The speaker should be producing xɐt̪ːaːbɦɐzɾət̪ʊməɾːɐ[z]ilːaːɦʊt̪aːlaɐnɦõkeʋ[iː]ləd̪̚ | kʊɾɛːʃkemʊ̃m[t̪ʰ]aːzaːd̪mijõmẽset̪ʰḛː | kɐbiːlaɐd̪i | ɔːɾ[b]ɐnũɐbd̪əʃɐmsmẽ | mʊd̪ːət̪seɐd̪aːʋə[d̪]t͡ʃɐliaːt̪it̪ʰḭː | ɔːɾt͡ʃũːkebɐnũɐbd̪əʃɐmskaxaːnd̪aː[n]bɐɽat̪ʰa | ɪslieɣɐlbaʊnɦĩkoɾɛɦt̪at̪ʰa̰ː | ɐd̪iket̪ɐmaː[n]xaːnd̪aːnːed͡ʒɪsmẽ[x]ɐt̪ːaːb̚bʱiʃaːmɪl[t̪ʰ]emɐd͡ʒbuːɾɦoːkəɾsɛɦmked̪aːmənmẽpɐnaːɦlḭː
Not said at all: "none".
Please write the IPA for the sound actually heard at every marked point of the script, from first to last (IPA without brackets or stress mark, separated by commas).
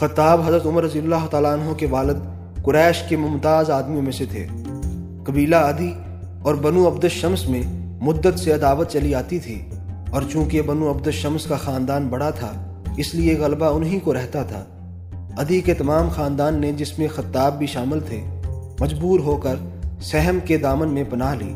z, aː, t̪, b, t̪, n, m, x, t̪ʰ